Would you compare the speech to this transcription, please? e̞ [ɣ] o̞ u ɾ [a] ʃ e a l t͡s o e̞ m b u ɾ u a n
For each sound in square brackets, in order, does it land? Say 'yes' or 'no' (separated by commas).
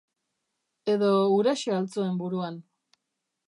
no, yes